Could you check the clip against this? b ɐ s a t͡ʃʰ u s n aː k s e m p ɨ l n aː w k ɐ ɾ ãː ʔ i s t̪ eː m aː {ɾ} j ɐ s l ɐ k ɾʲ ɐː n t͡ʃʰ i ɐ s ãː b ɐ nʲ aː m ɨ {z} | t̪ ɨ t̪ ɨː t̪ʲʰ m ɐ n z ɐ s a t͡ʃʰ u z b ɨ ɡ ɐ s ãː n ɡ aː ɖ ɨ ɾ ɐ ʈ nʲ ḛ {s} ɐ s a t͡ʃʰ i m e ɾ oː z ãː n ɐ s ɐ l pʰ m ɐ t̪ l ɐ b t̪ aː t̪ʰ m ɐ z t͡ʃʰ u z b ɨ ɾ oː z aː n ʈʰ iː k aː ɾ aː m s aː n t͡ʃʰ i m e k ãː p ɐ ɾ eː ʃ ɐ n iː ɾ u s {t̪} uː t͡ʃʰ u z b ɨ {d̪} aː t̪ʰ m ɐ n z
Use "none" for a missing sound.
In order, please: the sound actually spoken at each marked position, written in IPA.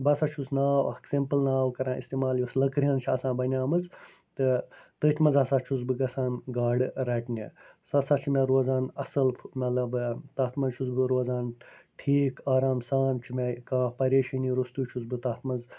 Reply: l, z, s, t̪, t̪

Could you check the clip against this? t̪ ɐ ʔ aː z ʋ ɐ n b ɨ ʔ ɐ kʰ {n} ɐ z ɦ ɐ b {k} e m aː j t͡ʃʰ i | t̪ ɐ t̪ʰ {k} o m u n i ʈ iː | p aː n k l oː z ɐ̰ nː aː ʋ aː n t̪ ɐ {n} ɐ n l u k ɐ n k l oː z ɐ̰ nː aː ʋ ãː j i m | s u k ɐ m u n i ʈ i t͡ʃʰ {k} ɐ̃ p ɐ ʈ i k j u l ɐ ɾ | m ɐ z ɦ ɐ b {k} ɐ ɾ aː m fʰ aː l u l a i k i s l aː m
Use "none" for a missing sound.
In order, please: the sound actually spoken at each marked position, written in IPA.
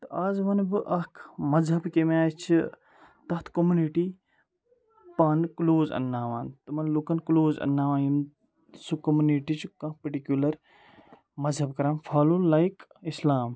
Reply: m, k, k, m, k, k

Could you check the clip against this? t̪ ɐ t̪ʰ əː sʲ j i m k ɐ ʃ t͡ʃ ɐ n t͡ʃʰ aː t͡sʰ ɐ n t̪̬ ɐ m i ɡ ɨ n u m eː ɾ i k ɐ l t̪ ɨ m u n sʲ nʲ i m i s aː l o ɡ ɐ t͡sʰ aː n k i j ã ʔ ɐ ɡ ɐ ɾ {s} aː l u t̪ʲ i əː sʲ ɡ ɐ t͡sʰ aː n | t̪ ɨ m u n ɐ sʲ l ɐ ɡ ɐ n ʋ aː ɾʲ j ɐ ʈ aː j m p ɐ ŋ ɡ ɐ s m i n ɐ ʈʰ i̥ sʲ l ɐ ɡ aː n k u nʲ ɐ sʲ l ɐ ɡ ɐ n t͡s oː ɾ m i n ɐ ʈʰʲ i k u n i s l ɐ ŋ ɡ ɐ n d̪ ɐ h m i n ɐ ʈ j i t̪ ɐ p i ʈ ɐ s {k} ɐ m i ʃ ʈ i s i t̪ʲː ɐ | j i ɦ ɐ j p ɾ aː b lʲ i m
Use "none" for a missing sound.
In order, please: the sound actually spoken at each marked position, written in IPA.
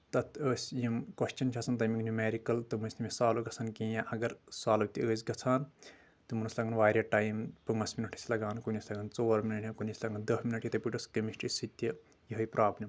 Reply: s, k

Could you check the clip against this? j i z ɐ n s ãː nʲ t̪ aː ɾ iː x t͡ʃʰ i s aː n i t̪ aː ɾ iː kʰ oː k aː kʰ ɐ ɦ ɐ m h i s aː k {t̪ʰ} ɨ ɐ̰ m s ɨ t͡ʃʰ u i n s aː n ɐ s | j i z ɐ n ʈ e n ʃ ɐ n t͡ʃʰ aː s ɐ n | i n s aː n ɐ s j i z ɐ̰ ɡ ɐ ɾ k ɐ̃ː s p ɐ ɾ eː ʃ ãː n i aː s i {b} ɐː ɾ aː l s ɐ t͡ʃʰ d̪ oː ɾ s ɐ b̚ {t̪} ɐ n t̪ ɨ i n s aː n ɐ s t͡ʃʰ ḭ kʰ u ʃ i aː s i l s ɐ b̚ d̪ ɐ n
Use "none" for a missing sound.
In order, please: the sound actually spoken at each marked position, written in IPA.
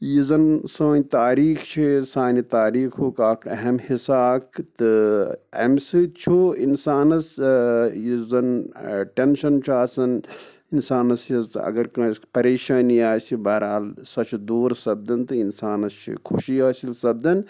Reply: t̪, b, d̪

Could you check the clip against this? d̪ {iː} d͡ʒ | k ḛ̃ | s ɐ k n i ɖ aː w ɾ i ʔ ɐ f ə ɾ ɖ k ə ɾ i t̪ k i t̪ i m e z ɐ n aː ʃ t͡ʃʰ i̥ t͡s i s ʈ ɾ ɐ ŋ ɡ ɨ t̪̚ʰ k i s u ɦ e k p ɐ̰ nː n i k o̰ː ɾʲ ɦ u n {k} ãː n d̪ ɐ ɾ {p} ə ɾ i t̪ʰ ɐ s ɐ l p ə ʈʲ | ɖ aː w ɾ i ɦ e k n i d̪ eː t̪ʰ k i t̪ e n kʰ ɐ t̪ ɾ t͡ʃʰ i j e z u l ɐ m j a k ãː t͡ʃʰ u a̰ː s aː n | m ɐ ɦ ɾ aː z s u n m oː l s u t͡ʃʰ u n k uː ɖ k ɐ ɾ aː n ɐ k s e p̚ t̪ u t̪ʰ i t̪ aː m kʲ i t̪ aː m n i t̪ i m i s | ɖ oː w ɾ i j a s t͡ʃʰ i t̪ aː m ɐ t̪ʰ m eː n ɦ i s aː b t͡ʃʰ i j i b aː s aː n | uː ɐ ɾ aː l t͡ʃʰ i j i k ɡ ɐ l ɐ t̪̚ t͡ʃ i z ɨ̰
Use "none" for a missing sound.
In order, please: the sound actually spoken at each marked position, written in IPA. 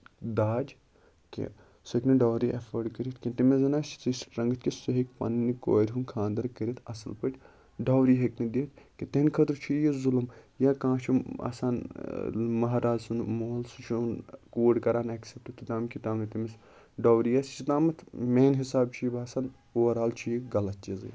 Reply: aː, kʰ, k

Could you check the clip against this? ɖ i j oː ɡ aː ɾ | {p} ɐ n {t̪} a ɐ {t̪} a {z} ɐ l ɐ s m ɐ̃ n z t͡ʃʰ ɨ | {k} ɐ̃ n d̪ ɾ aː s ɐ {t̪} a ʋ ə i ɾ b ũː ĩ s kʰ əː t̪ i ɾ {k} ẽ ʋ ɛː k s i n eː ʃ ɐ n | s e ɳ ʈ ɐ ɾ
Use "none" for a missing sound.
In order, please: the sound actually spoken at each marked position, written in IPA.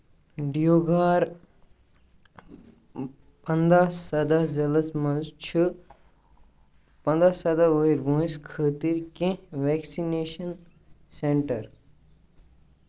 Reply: p, d̪, d̪, z, p, d̪, k

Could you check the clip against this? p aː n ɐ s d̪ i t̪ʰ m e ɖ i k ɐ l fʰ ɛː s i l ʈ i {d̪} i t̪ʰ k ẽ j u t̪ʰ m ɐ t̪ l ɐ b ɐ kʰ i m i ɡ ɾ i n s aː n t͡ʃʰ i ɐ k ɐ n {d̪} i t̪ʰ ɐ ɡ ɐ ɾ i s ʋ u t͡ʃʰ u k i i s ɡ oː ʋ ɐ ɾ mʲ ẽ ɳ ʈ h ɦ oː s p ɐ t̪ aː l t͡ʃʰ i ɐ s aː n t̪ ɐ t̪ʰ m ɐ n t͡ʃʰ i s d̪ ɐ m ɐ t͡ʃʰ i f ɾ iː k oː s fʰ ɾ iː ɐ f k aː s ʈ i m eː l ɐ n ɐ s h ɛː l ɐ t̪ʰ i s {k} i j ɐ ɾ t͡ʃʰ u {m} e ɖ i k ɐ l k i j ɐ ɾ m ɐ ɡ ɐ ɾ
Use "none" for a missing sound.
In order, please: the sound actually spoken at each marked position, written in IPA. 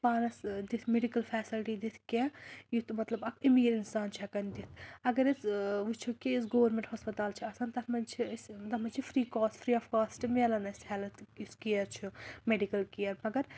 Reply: d̪, d̪, k, m

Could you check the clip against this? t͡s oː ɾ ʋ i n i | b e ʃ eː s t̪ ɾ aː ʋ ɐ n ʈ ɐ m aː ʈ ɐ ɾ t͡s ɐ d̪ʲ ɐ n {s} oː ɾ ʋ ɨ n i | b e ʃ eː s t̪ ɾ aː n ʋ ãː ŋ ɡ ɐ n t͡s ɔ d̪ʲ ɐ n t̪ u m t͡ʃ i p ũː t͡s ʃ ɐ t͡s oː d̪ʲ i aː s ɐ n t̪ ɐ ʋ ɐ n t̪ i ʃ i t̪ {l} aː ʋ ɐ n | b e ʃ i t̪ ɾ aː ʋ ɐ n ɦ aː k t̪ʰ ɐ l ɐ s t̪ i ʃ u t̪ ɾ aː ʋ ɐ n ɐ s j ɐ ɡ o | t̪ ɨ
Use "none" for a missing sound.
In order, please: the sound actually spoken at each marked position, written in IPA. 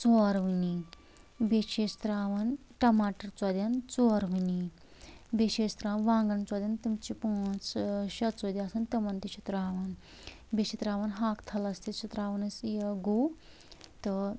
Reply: t͡s, ɾ

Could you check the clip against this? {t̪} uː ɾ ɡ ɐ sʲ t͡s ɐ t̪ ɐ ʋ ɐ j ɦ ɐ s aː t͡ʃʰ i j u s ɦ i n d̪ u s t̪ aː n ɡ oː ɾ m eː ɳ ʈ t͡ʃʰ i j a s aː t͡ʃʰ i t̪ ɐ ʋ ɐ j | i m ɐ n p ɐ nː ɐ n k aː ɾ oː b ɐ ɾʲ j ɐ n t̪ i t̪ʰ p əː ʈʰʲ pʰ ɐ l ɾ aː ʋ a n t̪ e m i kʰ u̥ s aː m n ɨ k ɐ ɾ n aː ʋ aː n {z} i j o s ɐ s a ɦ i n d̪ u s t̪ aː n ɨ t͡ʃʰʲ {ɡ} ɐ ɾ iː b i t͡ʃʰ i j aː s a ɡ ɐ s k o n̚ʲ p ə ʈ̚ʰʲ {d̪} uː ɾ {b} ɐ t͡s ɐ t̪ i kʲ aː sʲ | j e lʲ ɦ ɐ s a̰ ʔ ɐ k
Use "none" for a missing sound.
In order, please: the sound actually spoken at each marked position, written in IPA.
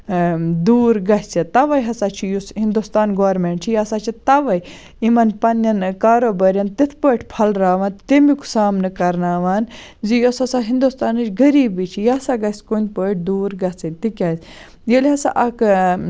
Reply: d̪, z, ɡ, d̪, ɡ

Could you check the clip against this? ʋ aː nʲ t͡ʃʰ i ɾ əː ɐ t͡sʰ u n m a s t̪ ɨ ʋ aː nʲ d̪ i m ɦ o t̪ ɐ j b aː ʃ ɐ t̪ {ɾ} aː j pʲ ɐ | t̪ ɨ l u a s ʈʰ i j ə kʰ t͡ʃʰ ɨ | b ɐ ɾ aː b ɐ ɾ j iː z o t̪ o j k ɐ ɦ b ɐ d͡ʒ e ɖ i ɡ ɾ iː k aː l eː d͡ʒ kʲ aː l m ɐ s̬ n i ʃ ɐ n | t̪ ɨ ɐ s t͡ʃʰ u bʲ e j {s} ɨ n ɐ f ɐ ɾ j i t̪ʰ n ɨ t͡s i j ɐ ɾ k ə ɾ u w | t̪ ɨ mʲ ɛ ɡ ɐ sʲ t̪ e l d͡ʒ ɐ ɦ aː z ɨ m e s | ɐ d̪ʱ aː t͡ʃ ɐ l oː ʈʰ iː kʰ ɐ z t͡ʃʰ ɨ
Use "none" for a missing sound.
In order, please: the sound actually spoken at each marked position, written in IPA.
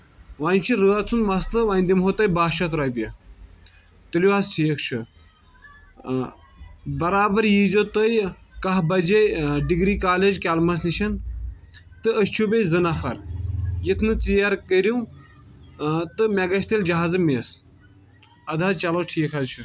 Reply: ɾ, z

